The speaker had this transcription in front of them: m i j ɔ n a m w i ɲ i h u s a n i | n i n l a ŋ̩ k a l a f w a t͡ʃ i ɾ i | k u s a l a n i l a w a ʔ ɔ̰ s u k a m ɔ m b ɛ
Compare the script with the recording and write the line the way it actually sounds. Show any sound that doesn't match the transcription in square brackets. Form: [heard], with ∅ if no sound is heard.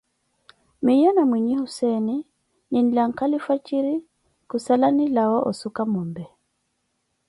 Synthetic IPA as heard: m i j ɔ n a m w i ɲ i h u s [ɛ] n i | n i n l a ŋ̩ k a l [i] f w a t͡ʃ i ɾ i | k u s a l a n i l a w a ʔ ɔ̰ s u k a m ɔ m b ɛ